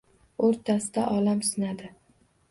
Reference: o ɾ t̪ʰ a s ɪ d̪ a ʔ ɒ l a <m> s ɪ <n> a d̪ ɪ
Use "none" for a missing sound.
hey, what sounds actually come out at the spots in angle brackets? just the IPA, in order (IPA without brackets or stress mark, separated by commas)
m, n